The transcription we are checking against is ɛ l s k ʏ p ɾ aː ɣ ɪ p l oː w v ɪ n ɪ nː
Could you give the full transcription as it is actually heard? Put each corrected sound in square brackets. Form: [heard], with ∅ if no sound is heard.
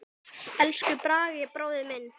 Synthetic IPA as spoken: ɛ l s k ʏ p ɾ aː ɣ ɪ p [ɾ] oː w [ð] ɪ [m] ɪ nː

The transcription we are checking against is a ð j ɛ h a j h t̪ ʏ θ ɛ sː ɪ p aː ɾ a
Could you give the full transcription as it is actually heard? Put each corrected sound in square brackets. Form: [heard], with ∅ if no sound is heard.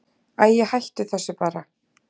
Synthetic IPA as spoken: a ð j ɛ h a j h t̪ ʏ θ ɛ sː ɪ p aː ɾ a

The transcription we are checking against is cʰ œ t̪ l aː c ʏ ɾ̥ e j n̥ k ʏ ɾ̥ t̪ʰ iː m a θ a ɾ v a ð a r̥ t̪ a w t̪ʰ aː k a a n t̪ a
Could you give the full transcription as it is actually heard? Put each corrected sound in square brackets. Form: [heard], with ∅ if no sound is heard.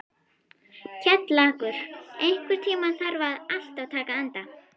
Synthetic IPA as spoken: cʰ [ɛ] t̪ l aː [k] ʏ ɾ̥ e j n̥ k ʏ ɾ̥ t̪ʰ iː m a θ a ɾ v a ð a [l̥] t̪ a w t̪ʰ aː k a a n t̪ a

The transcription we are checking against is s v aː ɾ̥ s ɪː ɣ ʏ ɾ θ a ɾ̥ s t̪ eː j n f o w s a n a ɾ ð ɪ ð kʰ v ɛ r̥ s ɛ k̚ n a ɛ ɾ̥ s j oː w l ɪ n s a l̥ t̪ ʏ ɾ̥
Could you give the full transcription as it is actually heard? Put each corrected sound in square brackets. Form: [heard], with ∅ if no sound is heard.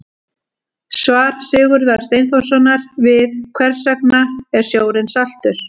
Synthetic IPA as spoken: s v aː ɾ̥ s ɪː ɣ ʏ ɾ [ð] a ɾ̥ s t̪ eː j n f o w s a n a ɾ [v] ɪ ð kʰ v ɛ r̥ s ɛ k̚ n a ɛ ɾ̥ s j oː w [ɾ] ɪ n s a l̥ t̪ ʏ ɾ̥

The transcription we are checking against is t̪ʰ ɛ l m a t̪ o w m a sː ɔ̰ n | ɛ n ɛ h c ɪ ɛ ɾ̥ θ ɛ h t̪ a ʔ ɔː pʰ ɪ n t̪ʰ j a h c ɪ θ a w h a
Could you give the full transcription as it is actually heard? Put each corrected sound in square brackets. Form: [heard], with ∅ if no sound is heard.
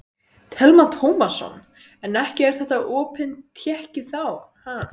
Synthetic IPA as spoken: t̪ʰ ɛ l m a [t̪ʰ] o w m a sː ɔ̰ n | ɛ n ɛ h c ɪ ɛ ɾ̥ θ ɛ h t̪ a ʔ ɔː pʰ ɪ n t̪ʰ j [ɛ] h c ɪ θ a w h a

